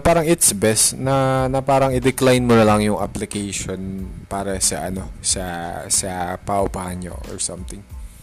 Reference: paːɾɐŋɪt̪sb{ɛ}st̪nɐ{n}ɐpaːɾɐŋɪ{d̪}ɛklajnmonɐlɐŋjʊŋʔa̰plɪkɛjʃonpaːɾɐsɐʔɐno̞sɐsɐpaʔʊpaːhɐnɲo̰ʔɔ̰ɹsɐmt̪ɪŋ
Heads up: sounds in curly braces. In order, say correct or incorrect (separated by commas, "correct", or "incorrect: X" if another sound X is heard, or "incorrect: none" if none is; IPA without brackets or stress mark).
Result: correct, correct, correct